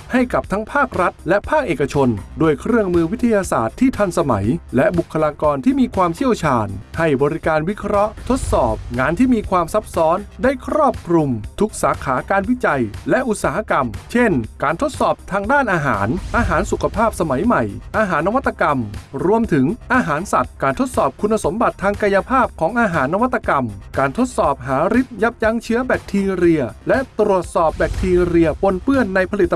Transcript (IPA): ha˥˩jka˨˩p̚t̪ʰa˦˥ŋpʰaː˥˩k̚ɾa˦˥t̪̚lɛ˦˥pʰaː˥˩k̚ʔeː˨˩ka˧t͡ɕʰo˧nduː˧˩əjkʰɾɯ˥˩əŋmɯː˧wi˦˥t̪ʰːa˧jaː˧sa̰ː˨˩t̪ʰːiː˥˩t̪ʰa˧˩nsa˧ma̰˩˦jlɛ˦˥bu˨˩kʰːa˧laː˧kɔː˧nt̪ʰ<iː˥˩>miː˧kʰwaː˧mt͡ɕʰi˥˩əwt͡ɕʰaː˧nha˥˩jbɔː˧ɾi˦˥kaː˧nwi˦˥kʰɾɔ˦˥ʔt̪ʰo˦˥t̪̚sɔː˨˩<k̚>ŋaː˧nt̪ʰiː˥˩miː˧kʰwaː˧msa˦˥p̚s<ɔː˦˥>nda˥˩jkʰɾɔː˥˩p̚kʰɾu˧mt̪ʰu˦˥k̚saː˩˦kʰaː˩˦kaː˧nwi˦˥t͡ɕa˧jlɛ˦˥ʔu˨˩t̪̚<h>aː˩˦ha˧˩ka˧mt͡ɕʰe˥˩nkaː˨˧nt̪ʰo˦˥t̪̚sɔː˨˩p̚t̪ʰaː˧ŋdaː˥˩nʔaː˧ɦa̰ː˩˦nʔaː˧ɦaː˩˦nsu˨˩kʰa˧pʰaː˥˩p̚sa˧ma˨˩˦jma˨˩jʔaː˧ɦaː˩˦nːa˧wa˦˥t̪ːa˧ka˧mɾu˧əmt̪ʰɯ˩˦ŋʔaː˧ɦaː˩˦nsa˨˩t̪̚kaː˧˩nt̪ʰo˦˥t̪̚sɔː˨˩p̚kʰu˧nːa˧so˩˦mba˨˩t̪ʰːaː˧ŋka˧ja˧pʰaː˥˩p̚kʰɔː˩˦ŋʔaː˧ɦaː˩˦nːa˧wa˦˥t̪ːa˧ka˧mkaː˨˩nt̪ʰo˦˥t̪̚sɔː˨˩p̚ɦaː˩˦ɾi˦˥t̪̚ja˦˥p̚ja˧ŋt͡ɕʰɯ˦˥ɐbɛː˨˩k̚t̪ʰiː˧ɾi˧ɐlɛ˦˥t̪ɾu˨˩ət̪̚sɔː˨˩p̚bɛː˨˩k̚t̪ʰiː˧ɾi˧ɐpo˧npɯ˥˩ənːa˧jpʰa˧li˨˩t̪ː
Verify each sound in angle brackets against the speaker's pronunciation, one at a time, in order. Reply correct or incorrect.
correct, incorrect: p̚, correct, incorrect: s

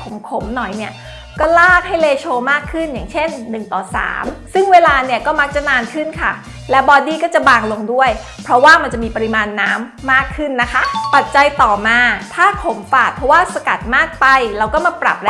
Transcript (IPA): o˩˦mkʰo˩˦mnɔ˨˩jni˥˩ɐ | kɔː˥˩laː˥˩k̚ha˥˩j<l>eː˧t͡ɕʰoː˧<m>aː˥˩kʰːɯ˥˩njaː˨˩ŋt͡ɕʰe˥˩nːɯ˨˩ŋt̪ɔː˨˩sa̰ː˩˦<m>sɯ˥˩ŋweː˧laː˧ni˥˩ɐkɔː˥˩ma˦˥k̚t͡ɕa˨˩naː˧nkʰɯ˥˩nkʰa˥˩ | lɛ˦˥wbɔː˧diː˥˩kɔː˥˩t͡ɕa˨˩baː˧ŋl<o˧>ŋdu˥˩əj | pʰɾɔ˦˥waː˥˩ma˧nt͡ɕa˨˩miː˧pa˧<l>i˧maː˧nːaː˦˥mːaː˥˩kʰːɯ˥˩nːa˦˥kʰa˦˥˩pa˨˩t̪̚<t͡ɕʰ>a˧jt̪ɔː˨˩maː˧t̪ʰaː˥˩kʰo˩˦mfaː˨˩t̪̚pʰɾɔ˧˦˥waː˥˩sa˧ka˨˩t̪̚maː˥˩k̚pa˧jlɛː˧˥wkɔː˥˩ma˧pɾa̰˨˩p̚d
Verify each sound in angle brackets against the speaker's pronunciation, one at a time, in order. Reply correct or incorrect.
correct, correct, correct, correct, incorrect: ɾ, incorrect: t͡ɕ

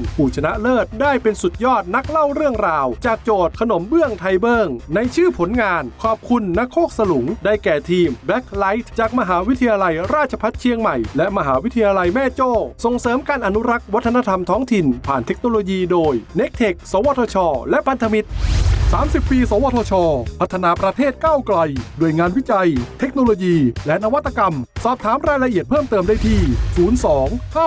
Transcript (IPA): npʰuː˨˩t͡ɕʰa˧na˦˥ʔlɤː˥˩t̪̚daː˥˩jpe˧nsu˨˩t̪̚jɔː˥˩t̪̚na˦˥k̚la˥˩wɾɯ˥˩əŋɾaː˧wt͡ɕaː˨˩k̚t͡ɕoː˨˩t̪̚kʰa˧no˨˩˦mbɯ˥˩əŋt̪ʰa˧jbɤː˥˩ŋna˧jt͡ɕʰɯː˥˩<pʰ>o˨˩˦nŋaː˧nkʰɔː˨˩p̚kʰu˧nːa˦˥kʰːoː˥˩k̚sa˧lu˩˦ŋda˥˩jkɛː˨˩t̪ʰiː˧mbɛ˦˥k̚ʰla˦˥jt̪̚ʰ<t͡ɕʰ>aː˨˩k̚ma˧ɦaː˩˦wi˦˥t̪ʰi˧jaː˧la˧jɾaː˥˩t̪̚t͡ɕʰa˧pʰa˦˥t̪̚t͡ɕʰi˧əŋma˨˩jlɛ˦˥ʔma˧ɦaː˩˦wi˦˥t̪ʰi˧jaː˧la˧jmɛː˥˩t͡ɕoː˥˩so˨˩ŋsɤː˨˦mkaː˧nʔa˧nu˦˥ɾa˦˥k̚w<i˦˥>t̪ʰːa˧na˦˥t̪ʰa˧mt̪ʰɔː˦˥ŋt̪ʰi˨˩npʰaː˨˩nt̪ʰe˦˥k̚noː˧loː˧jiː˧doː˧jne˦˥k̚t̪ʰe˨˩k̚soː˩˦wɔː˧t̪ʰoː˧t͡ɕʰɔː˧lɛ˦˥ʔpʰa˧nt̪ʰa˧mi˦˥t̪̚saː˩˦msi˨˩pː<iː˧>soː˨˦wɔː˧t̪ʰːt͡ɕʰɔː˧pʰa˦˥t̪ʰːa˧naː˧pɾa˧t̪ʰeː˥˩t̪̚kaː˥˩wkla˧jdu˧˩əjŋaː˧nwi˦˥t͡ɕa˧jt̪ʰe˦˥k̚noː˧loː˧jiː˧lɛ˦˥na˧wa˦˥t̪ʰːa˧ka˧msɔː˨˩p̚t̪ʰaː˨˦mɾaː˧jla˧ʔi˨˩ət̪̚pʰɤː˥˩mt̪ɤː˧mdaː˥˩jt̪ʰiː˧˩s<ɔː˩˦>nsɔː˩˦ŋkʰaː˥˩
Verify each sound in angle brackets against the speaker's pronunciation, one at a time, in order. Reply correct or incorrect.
correct, incorrect: t͡ɕ, incorrect: a˦˥, correct, incorrect: uː˩˦

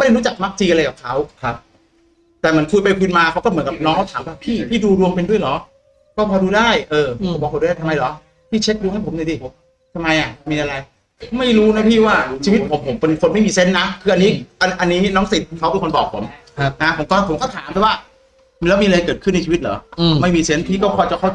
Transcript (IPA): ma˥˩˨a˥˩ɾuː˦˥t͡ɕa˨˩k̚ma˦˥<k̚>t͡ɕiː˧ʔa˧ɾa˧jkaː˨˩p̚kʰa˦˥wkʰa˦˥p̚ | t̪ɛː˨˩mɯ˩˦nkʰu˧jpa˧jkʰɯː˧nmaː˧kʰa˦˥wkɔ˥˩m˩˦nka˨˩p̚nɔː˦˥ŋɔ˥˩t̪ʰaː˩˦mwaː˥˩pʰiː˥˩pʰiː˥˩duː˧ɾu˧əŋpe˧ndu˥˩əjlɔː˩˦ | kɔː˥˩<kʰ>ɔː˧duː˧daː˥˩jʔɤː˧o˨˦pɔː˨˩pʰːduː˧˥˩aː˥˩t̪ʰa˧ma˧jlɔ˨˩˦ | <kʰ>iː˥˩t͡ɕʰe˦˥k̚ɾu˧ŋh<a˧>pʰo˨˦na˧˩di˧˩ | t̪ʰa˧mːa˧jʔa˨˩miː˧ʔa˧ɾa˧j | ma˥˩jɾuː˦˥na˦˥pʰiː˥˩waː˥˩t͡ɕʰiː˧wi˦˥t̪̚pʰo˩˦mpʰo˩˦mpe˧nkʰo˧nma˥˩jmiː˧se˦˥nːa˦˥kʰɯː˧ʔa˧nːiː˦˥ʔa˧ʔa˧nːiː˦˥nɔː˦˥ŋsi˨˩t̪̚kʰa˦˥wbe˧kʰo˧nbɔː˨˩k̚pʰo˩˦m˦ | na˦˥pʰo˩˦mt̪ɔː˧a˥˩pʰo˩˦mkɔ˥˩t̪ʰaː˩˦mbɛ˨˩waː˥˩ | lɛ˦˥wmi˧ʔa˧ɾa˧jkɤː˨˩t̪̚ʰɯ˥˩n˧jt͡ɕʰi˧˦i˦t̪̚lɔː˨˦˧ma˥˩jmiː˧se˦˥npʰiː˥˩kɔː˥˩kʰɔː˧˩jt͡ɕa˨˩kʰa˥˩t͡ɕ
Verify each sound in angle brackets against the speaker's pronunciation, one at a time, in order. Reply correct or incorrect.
correct, incorrect: pʰ, incorrect: pʰ, incorrect: a˥˩

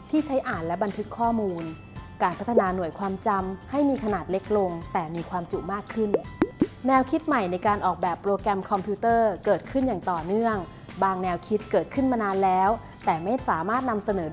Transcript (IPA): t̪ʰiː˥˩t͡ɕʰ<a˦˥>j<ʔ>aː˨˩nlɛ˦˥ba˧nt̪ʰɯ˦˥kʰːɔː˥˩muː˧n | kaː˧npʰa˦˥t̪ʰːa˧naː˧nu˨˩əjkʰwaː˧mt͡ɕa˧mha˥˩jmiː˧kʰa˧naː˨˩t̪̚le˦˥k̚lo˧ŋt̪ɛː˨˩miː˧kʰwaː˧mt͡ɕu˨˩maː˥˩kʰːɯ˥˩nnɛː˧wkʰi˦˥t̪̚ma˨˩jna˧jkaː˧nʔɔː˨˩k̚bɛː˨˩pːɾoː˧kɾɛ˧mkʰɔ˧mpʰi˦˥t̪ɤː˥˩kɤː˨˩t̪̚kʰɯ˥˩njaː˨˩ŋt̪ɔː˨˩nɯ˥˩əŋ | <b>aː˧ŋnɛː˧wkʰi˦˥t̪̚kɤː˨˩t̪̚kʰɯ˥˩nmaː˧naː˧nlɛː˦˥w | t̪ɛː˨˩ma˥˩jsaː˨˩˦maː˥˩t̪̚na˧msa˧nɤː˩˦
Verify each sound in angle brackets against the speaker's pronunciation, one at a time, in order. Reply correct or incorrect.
correct, correct, correct

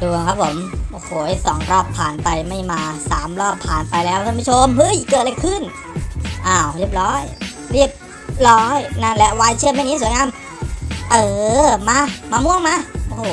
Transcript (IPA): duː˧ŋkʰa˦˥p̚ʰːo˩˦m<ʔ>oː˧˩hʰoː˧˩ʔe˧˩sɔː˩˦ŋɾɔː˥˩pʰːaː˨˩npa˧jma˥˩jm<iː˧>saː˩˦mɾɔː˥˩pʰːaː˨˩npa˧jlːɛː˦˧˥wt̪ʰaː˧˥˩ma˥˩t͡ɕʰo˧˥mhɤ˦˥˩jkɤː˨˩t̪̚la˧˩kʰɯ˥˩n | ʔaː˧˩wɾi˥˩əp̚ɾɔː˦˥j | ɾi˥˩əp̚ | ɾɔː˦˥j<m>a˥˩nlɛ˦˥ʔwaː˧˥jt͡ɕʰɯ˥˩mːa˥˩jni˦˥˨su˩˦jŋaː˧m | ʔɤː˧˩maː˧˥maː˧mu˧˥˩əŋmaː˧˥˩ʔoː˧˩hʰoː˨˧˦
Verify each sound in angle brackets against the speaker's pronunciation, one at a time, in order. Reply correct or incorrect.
correct, incorrect: aː˧, incorrect: n

